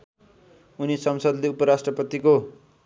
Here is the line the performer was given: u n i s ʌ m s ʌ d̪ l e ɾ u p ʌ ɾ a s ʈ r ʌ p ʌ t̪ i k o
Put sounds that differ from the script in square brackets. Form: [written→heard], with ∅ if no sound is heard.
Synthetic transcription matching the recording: u n i s ʌ m s ʌ d̪ l e [ɾ→∅] u p ʌ ɾ a s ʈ r ʌ p ʌ t̪ i k o